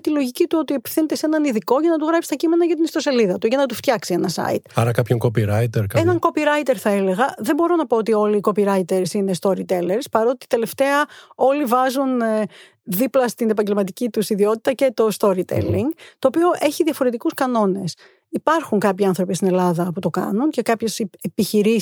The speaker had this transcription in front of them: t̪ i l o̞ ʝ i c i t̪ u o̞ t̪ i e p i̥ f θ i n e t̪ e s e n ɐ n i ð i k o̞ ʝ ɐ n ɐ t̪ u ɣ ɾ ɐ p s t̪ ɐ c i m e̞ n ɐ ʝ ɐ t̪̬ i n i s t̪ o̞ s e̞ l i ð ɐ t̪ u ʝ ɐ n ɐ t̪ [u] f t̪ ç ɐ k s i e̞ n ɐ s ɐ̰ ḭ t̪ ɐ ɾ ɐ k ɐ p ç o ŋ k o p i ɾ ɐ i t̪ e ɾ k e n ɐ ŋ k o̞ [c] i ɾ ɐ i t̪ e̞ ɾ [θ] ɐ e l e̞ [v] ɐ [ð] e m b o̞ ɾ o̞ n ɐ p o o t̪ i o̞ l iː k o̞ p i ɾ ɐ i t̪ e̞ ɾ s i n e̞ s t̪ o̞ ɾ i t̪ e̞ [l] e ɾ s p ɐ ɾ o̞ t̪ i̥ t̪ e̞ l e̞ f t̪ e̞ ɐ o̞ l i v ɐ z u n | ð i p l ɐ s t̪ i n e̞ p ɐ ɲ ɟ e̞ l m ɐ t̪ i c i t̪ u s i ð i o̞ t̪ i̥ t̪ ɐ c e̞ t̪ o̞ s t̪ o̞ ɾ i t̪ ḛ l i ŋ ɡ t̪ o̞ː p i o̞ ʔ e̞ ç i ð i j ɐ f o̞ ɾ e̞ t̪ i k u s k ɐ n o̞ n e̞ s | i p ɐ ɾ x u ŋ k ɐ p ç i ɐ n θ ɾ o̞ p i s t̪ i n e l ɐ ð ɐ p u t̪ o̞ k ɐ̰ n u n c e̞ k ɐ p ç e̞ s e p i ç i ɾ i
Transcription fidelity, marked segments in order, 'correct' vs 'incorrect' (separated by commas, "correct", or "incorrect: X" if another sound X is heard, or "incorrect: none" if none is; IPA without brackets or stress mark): correct, incorrect: p, correct, incorrect: ɣ, correct, correct